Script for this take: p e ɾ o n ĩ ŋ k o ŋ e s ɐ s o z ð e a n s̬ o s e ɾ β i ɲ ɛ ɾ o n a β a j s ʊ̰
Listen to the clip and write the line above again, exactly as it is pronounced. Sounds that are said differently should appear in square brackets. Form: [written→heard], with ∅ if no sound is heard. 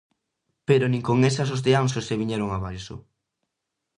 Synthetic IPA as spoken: p e ɾ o n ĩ ŋ k o ŋ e s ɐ s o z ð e a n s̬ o s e [ɾ→∅] β i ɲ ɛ ɾ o [n→ŋ] a β a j s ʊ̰